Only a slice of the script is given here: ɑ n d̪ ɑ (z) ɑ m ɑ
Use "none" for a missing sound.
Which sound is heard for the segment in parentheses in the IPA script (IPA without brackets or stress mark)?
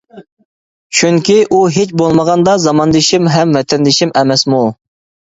z